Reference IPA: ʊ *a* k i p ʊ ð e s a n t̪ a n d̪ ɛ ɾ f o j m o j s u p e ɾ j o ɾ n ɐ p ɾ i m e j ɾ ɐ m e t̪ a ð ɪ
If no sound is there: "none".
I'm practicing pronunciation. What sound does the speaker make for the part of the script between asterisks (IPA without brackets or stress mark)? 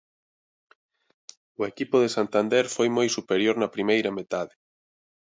e